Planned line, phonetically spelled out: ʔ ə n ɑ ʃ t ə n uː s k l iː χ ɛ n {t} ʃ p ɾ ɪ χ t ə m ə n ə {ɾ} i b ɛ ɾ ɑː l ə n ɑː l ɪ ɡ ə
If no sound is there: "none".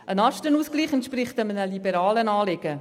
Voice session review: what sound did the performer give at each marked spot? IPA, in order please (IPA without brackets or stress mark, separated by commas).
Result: t, l